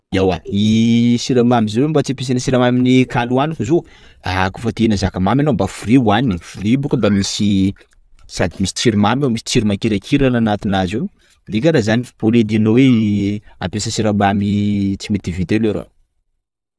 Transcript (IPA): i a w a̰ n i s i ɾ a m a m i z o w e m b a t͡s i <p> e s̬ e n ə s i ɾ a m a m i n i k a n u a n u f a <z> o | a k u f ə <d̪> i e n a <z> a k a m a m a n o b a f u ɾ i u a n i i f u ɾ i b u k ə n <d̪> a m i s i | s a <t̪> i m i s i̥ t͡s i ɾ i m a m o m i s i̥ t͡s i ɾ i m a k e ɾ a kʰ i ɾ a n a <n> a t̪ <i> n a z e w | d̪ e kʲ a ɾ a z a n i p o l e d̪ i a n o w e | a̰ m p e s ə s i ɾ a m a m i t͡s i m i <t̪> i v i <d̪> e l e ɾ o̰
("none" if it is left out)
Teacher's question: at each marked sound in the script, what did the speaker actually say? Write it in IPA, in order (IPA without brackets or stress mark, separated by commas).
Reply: p, z, t̪, z, d̪, d̪, n, i, t̪, t̪